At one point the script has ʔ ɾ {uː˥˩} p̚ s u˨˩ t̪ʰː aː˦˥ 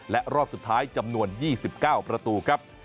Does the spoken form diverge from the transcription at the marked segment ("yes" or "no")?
yes